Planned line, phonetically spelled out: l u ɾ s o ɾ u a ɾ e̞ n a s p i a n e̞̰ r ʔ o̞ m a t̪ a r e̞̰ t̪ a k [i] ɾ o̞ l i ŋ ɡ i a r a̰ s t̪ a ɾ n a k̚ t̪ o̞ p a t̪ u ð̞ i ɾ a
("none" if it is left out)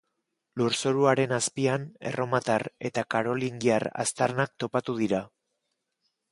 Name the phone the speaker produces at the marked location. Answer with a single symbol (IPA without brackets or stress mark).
a